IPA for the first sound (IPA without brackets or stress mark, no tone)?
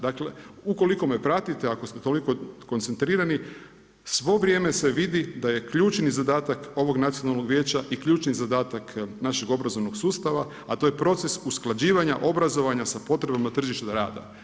d̪